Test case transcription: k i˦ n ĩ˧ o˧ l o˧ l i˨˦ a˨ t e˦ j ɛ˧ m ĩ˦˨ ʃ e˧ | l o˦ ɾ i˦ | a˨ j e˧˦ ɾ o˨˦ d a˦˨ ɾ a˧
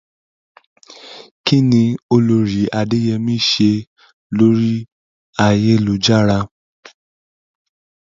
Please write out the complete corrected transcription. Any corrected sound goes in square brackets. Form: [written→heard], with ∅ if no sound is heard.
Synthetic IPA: k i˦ n ĩ˧ o˧ l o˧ [l→ɾ] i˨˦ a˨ [t→d] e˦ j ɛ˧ m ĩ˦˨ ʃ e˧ | l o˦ ɾ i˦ | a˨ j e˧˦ [ɾ→l] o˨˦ [d→d͡ʒ] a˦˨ ɾ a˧